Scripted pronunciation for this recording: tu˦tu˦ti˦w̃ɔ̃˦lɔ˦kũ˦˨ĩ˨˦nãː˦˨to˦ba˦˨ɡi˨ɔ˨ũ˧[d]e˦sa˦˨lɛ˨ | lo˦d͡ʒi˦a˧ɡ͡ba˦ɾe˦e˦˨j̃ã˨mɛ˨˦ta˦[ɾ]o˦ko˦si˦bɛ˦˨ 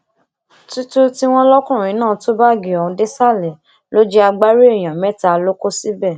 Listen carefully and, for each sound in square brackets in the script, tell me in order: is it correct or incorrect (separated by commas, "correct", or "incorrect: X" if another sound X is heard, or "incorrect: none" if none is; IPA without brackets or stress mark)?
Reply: correct, incorrect: l